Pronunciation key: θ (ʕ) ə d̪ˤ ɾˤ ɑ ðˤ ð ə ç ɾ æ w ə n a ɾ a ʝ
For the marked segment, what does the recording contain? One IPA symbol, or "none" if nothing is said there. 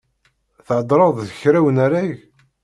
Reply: ʕ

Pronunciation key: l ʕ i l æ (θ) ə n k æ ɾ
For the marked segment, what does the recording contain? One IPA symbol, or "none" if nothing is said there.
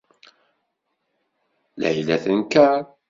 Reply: θ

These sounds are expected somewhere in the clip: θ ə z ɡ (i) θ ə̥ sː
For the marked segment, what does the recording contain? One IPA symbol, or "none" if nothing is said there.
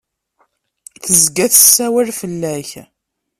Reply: æ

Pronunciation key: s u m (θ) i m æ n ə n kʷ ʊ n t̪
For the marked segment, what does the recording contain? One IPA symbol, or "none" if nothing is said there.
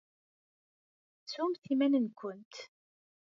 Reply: θ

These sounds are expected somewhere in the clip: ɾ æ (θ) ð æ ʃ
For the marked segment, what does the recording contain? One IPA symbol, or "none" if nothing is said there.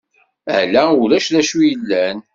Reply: ʃ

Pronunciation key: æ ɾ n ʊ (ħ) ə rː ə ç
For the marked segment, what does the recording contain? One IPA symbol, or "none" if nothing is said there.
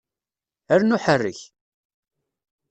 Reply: ħ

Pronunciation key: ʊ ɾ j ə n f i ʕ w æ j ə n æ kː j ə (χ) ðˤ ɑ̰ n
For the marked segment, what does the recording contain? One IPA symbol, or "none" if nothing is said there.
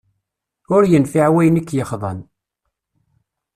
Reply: χ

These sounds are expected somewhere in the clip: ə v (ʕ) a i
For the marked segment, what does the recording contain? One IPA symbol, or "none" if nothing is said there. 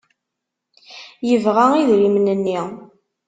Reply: ʁ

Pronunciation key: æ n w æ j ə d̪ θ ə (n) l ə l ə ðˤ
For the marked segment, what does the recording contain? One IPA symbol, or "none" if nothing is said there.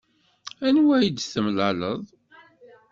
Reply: m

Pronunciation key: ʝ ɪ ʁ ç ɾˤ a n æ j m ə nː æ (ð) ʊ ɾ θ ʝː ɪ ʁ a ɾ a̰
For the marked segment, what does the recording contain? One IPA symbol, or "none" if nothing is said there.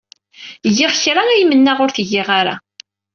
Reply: ʁ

